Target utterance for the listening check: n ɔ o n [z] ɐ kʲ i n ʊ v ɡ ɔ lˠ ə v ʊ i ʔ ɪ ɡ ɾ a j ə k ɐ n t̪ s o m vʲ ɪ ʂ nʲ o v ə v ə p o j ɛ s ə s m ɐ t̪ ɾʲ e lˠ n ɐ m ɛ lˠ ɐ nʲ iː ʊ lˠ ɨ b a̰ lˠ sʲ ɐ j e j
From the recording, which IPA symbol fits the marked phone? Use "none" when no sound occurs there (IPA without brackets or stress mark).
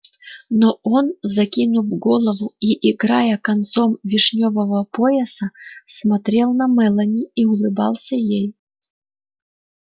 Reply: z